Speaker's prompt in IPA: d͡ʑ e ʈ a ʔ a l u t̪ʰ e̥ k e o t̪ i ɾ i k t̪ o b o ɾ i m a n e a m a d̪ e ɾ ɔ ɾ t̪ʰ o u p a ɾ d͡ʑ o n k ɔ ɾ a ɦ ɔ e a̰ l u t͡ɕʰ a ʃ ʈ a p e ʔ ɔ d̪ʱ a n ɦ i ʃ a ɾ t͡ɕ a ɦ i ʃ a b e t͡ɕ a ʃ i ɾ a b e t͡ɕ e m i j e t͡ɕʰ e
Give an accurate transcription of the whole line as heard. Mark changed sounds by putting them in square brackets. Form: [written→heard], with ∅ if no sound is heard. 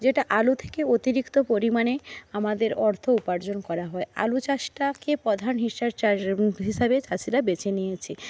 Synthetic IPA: d͡ʑ e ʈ a ʔ a l u t̪ʰ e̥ k e o t̪ i ɾ i k t̪ o [b→p] o ɾ i m a n e a m a d̪ e ɾ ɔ ɾ t̪ʰ o u p a ɾ d͡ʑ o n k ɔ ɾ a ɦ ɔ e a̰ l u [t͡ɕʰ→t͡ɕ] a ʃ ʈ a [p→k] e [ʔ→p] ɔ d̪ʱ a n ɦ i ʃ a ɾ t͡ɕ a ɦ i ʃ a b e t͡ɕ a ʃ i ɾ a b e t͡ɕ e [m→n] i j e t͡ɕʰ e

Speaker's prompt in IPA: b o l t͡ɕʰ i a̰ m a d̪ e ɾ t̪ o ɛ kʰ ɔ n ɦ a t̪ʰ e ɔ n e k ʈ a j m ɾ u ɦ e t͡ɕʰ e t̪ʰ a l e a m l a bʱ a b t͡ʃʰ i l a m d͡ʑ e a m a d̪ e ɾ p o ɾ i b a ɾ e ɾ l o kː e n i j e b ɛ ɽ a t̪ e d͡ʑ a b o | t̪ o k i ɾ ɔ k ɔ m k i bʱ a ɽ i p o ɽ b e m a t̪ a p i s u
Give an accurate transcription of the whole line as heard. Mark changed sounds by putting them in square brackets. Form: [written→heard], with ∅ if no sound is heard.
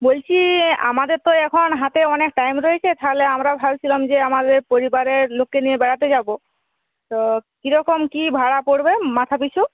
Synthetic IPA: b o l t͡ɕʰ i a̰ m a d̪ e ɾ t̪ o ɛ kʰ ɔ n ɦ a [t̪ʰ→t̪] e ɔ n e k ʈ a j m ɾ [u→o] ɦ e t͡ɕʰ e t̪ʰ a l e a m [l→ɾ] a bʱ a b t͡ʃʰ i l a m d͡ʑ e a m a d̪ e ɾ p o ɾ i b a ɾ e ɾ l o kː e n i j e b ɛ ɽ a t̪ e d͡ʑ a b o | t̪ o k i ɾ ɔ k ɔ m k i bʱ a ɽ [i→a] p o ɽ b e m a [t̪→t̪ʰ] a p i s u

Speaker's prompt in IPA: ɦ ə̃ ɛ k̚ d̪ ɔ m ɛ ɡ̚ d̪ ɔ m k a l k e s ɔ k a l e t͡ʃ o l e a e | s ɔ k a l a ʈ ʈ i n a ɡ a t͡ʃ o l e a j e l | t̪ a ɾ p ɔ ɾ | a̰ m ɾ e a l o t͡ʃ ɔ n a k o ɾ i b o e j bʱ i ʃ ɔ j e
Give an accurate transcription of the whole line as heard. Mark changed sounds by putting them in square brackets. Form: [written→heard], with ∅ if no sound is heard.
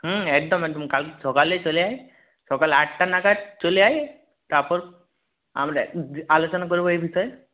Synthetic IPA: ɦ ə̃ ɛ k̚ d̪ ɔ m ɛ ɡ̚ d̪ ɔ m k a l k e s ɔ k a l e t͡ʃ o l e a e | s ɔ k a l a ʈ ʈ [i→a] n a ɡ a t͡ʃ o l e a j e [l→∅] | t̪ a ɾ p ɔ ɾ | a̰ m ɾ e a l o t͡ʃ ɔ n a k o ɾ i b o e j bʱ i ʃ ɔ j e

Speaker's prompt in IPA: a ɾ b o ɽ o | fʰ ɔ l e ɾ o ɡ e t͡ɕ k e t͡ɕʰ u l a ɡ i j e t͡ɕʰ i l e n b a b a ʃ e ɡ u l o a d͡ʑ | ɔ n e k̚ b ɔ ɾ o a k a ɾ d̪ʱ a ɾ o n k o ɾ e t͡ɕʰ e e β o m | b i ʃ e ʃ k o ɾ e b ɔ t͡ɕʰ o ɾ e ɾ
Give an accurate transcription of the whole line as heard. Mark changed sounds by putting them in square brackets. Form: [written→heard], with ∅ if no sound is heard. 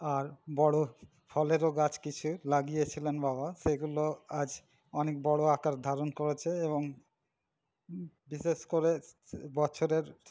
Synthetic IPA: a ɾ b [o→ɔ] ɽ o | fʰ ɔ l e ɾ o ɡ [e→a] t͡ɕ k [e→i] t͡ɕʰ u l a ɡ i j e t͡ɕʰ i l e n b a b a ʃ e ɡ u l o a d͡ʑ | ɔ n e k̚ b ɔ [ɾ→ɽ] o a k a ɾ d̪ʱ a ɾ o n k o ɾ e t͡ɕʰ e e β o [m→ŋ] | b i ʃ e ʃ k o ɾ e b ɔ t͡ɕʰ o ɾ e ɾ

